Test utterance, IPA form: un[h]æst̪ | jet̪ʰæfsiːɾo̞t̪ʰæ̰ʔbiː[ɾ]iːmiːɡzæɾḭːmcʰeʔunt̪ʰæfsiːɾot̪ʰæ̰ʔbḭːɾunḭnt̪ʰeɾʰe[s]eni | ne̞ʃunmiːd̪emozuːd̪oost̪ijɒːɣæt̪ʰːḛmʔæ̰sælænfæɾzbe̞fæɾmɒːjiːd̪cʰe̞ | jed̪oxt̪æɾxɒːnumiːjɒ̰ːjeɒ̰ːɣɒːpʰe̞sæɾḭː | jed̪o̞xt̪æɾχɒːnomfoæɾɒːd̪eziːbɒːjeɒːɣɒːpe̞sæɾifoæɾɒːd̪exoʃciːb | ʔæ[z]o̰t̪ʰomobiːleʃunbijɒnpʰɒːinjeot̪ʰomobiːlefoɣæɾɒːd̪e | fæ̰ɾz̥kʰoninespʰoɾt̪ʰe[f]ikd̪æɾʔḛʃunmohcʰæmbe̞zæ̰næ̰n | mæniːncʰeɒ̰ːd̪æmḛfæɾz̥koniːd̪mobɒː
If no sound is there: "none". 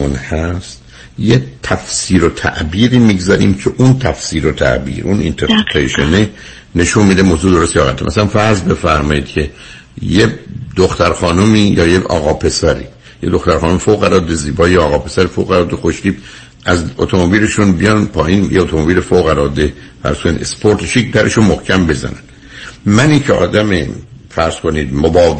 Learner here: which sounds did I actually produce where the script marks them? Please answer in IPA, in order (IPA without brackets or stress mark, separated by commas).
h, ɾ, ʃ, z, ʃ